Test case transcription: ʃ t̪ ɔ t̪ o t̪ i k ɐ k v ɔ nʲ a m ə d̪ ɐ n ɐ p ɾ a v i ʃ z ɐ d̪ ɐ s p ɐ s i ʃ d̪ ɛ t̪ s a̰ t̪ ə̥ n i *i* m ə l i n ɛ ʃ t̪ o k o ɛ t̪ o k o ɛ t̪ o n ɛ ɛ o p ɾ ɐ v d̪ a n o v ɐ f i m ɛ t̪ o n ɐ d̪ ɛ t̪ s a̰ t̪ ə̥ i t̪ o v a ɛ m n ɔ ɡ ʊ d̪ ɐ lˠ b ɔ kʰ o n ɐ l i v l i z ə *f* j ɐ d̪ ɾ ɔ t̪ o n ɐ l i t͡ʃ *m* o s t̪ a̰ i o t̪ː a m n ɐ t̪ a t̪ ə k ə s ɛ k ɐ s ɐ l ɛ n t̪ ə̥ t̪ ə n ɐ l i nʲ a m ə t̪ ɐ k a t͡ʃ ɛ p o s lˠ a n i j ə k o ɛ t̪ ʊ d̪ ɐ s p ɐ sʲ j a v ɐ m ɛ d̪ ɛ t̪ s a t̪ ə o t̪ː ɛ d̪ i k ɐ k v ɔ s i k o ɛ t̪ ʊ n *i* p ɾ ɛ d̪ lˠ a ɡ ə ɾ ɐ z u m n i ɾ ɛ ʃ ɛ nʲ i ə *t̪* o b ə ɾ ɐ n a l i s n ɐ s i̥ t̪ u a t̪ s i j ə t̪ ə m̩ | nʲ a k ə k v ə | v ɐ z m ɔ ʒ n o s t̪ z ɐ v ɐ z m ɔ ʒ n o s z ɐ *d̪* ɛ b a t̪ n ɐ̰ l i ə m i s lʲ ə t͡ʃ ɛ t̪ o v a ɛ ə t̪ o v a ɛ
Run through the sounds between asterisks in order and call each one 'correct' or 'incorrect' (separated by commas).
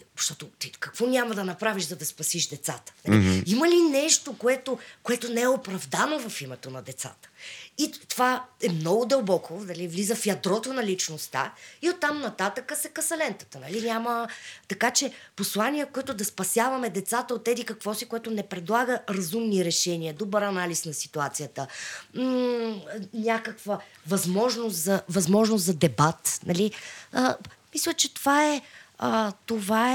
correct, correct, incorrect, incorrect, incorrect, correct